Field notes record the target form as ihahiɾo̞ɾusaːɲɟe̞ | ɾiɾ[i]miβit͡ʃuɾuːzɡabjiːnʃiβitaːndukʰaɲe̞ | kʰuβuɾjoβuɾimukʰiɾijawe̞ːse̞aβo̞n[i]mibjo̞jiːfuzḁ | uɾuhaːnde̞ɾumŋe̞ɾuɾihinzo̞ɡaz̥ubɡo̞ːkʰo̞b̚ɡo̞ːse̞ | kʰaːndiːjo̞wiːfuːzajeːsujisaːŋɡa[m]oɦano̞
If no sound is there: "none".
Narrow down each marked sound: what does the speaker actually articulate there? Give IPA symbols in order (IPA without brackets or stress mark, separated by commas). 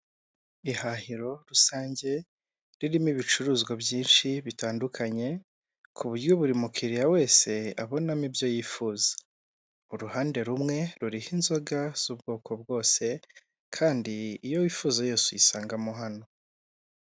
i, a, m